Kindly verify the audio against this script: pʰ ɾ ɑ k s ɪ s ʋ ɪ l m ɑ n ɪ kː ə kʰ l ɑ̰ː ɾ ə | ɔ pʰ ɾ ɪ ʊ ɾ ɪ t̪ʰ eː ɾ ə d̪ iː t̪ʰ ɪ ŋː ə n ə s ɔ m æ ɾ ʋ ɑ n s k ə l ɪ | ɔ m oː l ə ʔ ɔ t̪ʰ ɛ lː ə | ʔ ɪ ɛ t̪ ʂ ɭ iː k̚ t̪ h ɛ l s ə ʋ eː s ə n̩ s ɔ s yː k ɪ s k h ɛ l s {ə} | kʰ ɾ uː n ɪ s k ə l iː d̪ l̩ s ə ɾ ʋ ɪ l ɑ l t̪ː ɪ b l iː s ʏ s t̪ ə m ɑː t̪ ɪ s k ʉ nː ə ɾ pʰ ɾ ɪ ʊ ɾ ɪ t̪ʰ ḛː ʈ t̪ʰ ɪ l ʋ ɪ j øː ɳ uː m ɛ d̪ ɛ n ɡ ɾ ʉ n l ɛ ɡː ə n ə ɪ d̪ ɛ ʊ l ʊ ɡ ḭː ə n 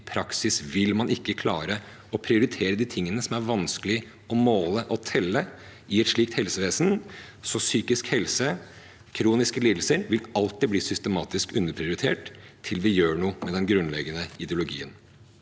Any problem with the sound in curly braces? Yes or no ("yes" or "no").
no